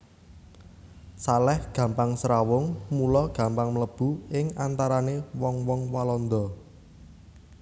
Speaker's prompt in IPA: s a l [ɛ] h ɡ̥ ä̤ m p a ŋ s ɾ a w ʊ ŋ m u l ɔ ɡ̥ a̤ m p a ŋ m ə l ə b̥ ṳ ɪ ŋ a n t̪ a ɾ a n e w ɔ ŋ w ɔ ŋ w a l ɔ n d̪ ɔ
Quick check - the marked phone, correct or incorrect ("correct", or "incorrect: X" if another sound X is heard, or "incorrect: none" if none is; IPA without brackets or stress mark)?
correct